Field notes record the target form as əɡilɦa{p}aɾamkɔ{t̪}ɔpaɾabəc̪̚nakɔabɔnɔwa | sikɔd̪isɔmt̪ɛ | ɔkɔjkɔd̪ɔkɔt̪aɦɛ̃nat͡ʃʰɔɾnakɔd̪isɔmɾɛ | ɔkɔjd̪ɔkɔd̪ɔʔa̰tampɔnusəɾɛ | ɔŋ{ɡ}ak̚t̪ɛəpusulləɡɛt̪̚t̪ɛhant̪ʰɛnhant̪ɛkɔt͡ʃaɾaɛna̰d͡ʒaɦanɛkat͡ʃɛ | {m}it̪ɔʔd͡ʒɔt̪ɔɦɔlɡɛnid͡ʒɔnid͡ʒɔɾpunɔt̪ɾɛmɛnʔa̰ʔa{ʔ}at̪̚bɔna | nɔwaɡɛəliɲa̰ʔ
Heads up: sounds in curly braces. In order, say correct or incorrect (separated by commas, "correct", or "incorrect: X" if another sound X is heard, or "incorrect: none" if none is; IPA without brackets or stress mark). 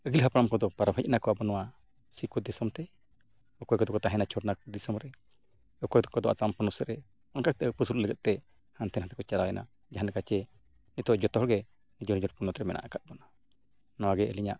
correct, incorrect: d̪, incorrect: k, incorrect: n, incorrect: k